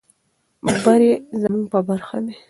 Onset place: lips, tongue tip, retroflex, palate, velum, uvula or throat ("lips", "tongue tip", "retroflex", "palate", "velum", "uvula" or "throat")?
lips